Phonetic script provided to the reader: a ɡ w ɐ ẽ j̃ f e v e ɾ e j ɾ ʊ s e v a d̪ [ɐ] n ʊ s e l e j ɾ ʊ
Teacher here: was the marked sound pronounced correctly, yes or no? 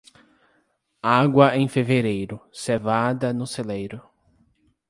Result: yes